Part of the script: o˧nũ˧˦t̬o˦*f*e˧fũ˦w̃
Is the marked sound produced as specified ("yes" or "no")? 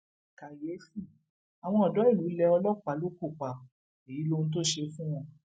no